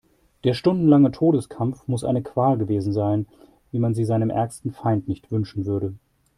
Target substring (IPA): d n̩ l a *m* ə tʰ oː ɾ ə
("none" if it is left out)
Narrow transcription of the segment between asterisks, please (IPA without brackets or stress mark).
ŋ